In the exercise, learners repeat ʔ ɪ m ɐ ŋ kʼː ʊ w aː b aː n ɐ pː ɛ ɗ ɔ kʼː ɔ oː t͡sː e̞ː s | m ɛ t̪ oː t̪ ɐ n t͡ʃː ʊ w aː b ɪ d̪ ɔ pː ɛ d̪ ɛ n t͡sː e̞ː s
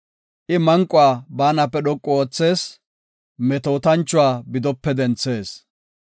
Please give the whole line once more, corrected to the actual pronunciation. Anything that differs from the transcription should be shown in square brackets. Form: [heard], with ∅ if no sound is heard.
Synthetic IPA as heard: ʔ ɪ m ɐ ŋ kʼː ʊ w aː b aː n ɐ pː ɛ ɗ ɔ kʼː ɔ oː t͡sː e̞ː s | m ɛ t̪ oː t̪ ɐ n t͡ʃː ʊ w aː b ɪ d̪ ɔ pː ɛ d̪ ɛ n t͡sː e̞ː s